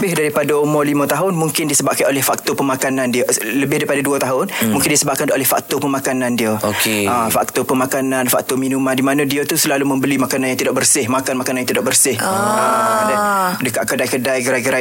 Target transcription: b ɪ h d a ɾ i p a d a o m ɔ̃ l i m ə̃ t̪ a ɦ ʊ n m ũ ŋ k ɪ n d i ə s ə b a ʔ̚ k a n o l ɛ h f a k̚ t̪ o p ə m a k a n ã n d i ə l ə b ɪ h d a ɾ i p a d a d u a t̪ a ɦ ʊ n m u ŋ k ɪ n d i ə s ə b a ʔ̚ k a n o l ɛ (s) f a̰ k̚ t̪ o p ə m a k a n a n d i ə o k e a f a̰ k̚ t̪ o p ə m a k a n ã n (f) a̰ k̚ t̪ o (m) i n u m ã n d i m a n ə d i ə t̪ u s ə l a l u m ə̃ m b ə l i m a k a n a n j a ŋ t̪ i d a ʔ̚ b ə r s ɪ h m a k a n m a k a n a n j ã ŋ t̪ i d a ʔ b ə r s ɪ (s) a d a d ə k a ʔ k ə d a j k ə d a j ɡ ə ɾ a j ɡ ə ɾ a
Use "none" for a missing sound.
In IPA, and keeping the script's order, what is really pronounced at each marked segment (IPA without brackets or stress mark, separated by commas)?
h, f, m, h